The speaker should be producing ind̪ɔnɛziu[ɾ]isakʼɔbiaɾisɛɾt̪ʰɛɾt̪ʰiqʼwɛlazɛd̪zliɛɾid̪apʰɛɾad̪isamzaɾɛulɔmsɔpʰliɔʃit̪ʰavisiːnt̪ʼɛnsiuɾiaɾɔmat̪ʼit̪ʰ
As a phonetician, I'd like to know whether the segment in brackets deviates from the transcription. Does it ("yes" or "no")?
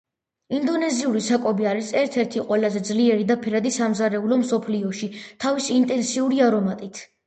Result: no